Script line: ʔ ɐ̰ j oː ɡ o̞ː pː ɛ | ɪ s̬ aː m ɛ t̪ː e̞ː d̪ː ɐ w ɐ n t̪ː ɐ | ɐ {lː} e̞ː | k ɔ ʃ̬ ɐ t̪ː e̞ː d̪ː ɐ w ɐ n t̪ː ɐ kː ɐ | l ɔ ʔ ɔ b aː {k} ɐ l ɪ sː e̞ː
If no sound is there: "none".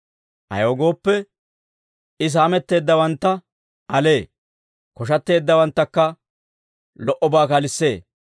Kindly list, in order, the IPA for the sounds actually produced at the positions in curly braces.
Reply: l, k

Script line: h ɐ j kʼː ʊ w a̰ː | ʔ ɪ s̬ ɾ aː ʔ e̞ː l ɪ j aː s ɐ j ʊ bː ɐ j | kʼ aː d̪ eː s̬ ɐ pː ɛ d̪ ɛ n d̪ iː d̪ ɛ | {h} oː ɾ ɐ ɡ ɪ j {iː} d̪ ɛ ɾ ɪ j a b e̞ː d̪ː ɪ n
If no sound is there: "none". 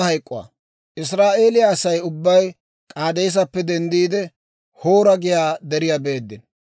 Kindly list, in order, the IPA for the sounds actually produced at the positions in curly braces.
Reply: h, aː

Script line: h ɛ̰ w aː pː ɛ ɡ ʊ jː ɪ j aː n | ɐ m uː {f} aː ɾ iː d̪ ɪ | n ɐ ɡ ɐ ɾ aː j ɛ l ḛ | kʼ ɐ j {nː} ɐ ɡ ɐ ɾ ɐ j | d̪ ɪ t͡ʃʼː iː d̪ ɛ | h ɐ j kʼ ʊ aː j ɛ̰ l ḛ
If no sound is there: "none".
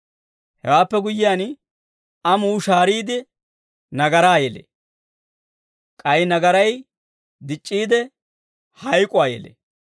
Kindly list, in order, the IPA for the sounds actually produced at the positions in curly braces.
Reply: ʃ, n

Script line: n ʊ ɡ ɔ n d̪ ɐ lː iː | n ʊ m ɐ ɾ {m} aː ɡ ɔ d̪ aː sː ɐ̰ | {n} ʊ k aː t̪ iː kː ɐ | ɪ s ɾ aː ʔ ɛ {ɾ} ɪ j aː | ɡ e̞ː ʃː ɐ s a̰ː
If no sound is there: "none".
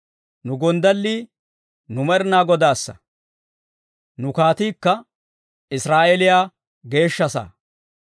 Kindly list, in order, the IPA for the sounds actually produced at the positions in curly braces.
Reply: n, n, l

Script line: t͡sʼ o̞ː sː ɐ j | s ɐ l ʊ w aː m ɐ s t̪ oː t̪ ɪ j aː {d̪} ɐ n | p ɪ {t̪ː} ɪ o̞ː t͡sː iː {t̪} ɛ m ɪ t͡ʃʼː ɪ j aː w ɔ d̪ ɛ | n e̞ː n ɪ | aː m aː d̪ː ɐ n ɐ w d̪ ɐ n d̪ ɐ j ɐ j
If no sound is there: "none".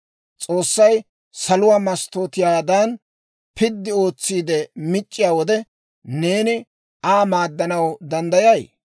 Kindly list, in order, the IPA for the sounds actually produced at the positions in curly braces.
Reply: d̪, d̪ː, d̪

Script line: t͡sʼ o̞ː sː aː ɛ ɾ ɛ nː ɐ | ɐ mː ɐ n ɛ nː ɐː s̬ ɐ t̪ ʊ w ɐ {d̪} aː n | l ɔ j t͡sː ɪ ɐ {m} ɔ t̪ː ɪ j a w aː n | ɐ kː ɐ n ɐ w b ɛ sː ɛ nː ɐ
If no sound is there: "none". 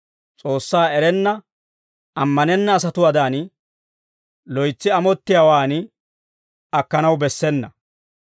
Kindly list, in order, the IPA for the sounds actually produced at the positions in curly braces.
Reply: d̪, m

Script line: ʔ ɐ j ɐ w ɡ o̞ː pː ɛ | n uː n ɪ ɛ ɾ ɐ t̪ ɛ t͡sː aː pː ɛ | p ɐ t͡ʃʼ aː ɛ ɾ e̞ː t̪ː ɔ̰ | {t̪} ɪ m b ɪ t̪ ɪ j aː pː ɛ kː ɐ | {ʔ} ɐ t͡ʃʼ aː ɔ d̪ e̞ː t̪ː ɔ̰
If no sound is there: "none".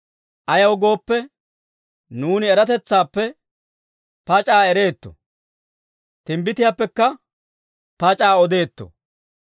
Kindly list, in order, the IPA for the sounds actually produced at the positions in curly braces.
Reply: t̪, p

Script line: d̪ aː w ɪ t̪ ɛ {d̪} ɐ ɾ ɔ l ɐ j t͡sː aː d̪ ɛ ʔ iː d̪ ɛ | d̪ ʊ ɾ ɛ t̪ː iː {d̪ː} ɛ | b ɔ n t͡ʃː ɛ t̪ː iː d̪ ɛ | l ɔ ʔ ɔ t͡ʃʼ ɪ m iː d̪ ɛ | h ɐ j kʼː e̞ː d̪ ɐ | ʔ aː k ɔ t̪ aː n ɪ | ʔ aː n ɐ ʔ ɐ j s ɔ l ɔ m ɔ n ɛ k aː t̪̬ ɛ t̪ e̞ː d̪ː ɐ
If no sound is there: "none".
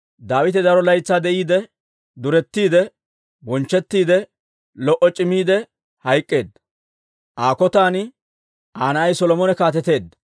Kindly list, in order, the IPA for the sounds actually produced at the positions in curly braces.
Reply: d̪, d̪

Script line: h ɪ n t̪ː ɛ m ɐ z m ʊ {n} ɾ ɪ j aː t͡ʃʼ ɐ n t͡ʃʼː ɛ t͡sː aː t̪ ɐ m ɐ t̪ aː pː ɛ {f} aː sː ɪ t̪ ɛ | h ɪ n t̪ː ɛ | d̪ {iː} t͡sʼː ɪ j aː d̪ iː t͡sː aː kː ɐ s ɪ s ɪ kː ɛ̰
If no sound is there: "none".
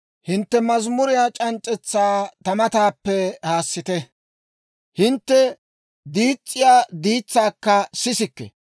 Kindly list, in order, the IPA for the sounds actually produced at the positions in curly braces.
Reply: none, h, iː

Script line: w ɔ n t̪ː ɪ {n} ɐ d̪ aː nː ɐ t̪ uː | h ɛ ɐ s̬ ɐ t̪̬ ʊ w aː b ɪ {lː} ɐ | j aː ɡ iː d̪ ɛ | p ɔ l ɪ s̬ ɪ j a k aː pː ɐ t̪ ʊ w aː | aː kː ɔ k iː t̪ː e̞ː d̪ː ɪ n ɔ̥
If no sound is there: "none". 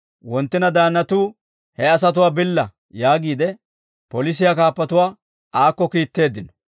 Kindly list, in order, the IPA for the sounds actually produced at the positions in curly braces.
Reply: n, lː

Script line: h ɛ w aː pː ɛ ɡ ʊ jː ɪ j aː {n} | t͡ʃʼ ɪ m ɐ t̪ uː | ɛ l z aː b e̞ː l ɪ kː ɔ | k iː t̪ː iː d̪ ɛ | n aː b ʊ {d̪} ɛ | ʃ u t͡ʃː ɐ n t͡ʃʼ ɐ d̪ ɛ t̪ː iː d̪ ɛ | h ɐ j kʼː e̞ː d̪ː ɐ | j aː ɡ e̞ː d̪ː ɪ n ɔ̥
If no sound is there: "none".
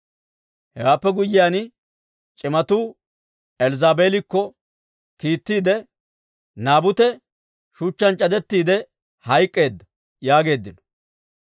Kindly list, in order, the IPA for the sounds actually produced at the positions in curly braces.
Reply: n, t̪

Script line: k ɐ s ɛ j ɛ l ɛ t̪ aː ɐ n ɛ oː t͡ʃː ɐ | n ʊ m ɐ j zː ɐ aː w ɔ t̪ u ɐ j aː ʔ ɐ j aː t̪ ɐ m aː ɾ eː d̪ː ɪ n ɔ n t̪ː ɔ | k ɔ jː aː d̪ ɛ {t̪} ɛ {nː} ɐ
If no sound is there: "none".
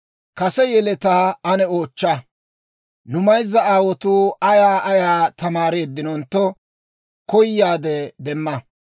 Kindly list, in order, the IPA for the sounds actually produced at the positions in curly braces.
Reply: d̪, mː

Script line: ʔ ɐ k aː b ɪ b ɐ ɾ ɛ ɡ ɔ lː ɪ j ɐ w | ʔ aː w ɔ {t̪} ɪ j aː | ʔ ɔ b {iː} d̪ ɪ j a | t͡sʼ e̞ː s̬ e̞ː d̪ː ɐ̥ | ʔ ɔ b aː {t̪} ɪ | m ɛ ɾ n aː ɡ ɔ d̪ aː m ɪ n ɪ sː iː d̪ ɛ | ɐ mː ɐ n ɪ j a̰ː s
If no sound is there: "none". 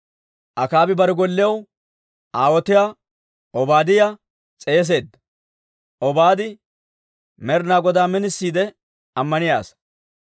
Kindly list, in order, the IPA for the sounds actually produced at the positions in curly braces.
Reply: t̪, aː, d̪

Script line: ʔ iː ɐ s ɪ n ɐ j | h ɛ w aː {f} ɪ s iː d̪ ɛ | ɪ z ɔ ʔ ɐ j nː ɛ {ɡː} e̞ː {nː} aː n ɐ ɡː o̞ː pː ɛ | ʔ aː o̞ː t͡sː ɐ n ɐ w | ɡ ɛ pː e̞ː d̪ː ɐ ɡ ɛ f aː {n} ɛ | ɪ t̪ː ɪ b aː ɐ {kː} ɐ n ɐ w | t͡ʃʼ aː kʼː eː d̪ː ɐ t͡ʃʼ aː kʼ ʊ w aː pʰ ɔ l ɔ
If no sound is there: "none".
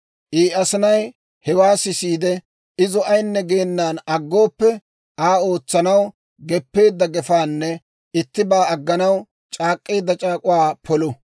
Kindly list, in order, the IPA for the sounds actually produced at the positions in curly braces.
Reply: s, ɡ, nː, nː, ɡː

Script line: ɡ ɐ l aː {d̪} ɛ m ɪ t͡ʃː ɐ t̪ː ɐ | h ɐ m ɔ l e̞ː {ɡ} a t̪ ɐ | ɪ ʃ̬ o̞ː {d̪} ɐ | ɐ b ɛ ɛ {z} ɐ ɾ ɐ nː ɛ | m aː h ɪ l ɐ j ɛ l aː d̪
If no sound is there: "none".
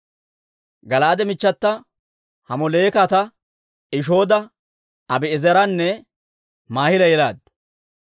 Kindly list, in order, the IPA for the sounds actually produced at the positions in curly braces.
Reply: d̪, k, d̪, z

